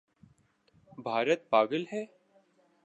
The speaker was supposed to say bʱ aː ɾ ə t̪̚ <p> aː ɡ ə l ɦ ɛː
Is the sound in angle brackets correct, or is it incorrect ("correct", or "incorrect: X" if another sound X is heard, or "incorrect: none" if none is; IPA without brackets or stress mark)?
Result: correct